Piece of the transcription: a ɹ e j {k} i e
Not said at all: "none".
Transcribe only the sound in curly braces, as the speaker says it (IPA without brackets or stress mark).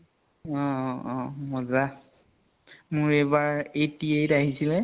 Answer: t